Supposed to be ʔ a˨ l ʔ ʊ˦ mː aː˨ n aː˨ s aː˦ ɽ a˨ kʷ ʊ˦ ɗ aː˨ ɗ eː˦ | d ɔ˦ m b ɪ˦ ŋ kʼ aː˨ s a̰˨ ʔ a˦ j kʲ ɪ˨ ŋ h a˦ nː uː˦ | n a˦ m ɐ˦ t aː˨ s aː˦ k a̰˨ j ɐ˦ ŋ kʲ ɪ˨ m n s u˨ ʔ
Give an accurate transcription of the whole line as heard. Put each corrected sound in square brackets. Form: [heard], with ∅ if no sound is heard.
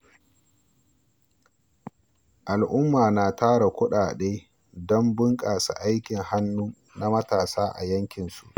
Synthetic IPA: ʔ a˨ l ʔ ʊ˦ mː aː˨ n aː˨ [t] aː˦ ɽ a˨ kʷ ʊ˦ ɗ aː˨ ɗ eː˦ | d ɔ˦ m b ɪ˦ ŋ kʼ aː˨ s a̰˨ ʔ a˦ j kʲ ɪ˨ ŋ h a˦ nː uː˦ | n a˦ m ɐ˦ t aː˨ s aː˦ [ʔ] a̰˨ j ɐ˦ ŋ kʲ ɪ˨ [∅] n s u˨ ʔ